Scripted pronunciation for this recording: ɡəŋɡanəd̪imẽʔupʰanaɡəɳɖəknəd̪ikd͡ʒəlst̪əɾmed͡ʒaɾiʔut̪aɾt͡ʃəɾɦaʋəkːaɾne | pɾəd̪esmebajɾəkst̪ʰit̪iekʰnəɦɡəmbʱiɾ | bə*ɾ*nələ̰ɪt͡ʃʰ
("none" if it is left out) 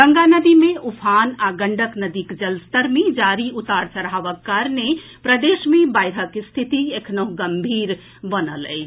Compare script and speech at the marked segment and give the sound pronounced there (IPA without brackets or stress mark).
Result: none